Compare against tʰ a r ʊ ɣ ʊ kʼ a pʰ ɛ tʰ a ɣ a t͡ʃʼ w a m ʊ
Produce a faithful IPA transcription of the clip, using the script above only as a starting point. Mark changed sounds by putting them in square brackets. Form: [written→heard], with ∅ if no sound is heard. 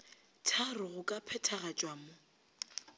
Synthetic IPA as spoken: tʰ a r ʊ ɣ ʊ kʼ a pʰ ɛ tʰ a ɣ a t͡ʃʼ w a m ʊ